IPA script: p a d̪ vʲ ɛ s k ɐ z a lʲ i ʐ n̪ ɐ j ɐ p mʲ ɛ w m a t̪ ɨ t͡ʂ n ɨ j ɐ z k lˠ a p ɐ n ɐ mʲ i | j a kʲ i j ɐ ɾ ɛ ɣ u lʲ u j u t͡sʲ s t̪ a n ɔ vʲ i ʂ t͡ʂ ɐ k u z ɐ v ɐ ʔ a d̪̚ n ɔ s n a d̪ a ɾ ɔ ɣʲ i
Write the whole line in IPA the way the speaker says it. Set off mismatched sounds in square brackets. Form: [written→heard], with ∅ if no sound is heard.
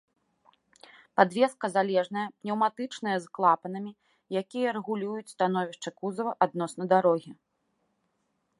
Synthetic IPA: p a d̪ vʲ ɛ s k ɐ z a lʲ [i→ɛ] ʐ n̪ ɐ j ɐ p [mʲ→nʲ] ɛ w m a t̪ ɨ t͡ʂ n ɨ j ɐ z k lˠ a p ɐ n ɐ mʲ i | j a kʲ i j ɐ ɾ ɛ ɣ u lʲ u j u t͡sʲ s t̪ a n ɔ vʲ i ʂ t͡ʂ ɐ k u z ɐ v ɐ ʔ a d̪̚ n ɔ s n [a→ɐ] d̪ a ɾ ɔ ɣʲ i